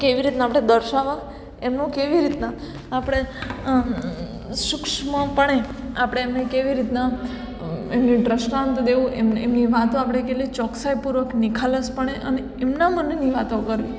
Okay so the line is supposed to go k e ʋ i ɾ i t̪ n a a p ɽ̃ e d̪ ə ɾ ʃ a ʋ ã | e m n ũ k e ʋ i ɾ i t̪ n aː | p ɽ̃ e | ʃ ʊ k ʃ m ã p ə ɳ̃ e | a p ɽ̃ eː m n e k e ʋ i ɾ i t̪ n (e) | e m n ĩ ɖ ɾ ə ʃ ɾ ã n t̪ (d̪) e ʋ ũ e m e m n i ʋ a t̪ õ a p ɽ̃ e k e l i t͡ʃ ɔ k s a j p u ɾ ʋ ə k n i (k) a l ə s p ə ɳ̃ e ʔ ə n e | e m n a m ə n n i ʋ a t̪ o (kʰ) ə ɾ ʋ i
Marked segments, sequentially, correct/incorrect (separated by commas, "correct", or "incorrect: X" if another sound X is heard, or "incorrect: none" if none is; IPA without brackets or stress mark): incorrect: a, correct, incorrect: kʰ, incorrect: k